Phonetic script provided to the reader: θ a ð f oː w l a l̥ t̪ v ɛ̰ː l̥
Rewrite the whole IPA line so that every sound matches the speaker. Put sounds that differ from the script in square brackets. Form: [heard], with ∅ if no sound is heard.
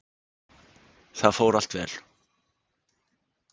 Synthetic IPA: θ a ð f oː w [ɾ] a l̥ t̪ v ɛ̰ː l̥